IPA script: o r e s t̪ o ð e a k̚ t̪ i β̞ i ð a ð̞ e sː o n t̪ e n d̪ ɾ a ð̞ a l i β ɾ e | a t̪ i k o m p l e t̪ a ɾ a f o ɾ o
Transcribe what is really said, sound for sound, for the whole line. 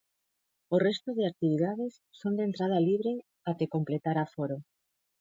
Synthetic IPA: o r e s t̪ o ð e a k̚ t̪ i β̞ i ð a ð̞ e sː o n d̪ e n t̪ ɾ a ð̞ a l i β ɾ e | a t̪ e k o m p l e t̪ a ɾ a f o ɾ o